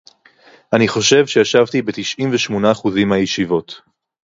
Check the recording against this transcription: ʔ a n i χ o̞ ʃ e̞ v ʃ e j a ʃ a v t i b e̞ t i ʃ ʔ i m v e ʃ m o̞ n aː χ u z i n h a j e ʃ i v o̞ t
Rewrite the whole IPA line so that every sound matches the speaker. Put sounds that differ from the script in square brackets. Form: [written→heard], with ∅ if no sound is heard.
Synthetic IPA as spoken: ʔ a n i χ o̞ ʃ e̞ v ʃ e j a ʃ a v t i b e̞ t i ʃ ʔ i m v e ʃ m o̞ n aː χ u z i [n→m] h a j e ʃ i v o̞ t